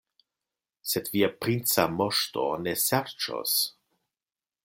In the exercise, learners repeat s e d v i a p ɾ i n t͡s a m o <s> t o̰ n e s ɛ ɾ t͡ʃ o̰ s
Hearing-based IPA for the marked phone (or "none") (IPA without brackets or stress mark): ʃ